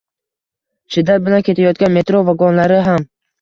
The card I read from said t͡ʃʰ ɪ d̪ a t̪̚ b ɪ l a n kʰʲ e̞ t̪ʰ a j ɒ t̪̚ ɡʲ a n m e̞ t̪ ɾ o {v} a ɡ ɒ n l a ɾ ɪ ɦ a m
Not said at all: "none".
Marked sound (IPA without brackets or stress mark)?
v